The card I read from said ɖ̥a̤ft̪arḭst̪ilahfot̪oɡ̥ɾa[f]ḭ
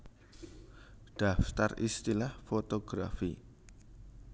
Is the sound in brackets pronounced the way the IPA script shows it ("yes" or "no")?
yes